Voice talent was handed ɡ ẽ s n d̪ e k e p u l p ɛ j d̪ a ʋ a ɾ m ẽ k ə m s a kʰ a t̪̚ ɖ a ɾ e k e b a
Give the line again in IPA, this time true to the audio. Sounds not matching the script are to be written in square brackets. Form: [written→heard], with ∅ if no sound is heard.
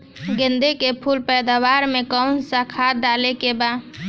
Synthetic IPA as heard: ɡ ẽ [s→∅] n d̪ e k e [p→pʰ] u l p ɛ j d̪ a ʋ a ɾ m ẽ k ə [m→n] s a kʰ a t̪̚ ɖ a [ɾ→l] e k e b a